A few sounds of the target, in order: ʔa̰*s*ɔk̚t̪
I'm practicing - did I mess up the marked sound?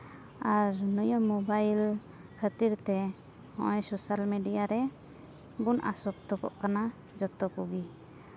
no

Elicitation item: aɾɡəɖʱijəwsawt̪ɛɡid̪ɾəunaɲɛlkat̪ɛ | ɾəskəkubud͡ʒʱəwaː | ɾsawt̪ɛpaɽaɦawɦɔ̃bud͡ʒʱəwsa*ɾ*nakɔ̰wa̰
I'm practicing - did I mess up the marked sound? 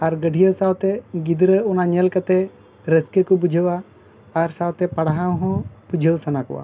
yes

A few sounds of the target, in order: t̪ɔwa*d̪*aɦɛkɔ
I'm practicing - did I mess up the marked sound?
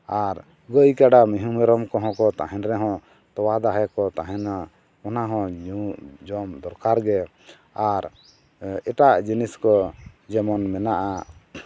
no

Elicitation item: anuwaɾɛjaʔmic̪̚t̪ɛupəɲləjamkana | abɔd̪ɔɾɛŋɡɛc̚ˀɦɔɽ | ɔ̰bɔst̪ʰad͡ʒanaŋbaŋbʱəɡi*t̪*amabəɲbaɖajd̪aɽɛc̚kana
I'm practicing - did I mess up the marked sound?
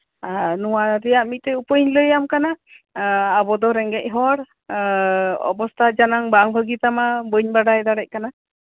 no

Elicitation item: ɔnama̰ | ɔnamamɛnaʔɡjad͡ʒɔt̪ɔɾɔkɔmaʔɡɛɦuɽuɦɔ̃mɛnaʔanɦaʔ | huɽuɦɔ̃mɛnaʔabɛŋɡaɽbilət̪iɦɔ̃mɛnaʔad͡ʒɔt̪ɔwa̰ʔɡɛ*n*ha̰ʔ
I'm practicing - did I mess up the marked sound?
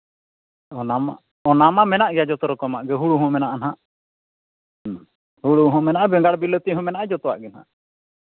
no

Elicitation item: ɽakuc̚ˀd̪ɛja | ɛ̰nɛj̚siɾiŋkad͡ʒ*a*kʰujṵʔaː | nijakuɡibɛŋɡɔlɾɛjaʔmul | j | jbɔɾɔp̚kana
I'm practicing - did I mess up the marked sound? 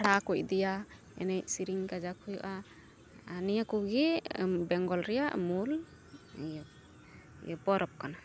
no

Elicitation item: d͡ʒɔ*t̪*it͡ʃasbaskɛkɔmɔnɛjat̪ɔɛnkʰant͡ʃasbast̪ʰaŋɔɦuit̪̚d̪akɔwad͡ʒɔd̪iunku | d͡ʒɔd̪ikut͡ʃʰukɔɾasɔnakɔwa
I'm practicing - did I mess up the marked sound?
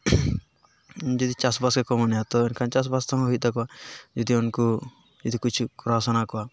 yes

